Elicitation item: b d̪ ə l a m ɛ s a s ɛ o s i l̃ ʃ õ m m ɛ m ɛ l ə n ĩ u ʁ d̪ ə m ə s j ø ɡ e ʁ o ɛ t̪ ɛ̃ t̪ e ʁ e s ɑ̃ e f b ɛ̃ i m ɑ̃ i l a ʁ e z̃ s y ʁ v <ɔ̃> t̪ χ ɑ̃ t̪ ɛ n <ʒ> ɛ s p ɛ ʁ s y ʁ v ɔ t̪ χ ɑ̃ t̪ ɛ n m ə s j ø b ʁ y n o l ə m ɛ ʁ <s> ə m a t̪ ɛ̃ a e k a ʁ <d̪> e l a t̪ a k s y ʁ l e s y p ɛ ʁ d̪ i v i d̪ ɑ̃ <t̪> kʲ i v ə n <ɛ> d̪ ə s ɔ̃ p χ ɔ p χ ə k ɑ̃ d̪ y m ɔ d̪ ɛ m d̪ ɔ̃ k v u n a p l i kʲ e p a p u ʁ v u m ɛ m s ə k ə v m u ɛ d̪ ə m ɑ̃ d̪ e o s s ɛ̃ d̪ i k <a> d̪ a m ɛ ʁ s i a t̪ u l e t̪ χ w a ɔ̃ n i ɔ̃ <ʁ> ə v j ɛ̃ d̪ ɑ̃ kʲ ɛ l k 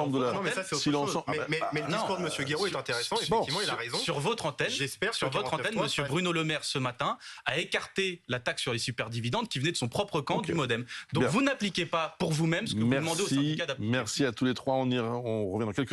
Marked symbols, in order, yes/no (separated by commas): no, yes, yes, no, no, yes, yes, yes